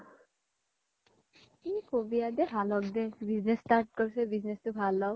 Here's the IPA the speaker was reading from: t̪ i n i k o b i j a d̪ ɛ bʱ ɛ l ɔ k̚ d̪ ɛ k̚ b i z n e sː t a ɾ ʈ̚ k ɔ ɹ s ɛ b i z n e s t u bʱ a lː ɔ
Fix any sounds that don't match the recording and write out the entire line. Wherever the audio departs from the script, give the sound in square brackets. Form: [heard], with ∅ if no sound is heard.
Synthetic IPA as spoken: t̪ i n i k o b i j a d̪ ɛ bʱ [a] l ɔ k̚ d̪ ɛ [∅] b i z n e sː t a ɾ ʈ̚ k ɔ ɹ s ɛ b i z n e s t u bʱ a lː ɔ